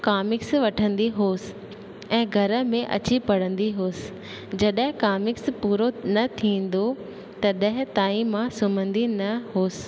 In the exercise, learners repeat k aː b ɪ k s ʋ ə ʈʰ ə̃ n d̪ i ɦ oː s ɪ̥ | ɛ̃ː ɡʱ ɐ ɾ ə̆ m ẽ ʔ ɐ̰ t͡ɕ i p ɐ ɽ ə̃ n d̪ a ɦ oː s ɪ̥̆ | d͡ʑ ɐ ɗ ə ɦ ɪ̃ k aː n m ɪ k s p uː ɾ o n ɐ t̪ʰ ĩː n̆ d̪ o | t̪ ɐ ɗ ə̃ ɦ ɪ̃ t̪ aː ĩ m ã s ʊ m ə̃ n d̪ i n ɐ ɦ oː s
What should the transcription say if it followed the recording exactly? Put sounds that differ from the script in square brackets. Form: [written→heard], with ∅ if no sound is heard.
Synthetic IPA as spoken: k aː [b→m] ɪ k s ʋ [ə→ɐ] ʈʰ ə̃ n d̪ i ɦ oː s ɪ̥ | ɛ̃ː ɡʱ ɐ ɾ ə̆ m ẽ ʔ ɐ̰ t͡ɕ i p ɐ ɽ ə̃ n d̪ [a→i] ɦ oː s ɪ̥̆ | d͡ʑ ɐ ɗ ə ɦ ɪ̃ k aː [n→∅] m ɪ k s p uː ɾ o n ɐ t̪ʰ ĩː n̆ d̪ o | t̪ ɐ ɗ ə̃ ɦ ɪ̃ t̪ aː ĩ m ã s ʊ m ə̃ n d̪ i n ɐ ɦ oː s